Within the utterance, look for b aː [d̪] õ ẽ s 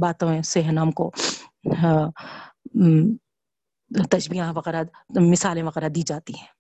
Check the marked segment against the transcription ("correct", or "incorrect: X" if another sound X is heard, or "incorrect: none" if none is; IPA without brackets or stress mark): incorrect: t̪